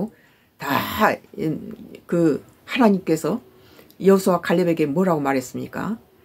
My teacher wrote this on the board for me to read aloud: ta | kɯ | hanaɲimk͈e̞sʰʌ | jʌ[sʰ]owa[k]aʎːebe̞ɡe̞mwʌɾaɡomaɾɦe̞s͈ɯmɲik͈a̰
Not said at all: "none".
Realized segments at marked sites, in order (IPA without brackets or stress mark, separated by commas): sʰ, k